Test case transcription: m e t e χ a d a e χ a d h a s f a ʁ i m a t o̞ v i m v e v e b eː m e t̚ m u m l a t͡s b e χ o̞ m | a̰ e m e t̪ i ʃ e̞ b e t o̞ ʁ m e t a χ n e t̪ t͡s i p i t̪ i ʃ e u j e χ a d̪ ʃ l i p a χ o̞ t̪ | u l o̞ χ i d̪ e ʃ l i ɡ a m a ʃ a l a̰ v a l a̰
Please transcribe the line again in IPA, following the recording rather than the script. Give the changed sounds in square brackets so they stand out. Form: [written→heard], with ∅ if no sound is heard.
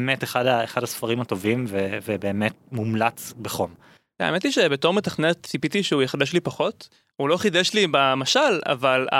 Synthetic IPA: m e t e χ a d a e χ a d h a s f a ʁ i m a t o̞ v i m v e v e b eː m e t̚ m u m l a t͡s b e χ o̞ m | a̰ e m e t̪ i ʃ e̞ b e t o̞ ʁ m e t a χ n e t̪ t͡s i p i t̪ i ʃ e u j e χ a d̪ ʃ l i p a χ o̞ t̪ | u l o̞ χ i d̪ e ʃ l i [ɡ→b] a m a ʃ a l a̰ v a l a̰